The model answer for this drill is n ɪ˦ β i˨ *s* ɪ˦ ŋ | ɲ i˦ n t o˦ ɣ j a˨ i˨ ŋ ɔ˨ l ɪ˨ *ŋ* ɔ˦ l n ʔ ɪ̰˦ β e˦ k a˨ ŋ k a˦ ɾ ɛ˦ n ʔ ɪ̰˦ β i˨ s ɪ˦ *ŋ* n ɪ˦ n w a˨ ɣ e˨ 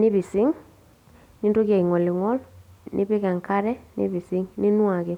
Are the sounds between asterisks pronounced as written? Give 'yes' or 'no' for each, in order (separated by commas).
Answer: yes, yes, yes